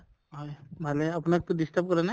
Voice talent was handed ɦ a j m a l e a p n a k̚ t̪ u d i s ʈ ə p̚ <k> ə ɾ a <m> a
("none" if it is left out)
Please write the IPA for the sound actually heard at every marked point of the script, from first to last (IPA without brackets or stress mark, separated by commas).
k, n